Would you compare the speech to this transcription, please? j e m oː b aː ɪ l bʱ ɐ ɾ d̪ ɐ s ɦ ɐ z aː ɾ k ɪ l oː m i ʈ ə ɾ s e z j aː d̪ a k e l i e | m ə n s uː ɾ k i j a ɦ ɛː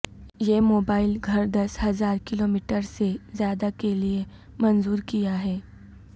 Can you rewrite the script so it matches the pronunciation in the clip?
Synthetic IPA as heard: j e m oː b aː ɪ l ɡʱ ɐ ɾ d̪ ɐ s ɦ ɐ z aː ɾ k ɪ l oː m i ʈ ə ɾ s e z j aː d̪ a k e l i e | m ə n z uː ɾ k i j a ɦ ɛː